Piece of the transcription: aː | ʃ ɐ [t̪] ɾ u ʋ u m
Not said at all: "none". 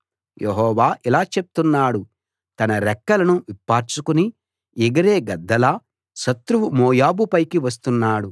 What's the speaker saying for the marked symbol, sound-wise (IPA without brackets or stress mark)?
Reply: t̪